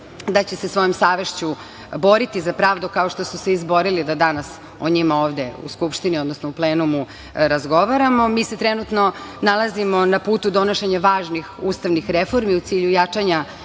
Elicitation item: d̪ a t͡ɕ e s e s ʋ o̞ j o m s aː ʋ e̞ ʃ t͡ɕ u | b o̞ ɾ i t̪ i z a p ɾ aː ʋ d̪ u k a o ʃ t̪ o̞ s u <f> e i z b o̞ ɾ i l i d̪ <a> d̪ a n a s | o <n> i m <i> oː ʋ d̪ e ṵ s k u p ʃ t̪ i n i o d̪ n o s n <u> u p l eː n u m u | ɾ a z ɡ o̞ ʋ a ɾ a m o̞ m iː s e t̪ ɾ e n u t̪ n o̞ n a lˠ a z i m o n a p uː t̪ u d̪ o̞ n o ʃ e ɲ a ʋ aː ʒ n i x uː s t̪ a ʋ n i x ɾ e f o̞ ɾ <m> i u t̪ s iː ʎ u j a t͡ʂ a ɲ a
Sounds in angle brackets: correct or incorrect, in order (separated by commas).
incorrect, correct, incorrect, incorrect, incorrect, correct